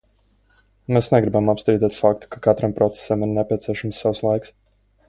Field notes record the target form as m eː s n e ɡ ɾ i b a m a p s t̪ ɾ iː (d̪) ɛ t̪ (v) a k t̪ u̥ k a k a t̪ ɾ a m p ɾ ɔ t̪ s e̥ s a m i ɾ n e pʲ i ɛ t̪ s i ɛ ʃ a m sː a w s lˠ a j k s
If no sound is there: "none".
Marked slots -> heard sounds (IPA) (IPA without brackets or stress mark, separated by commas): d̪, f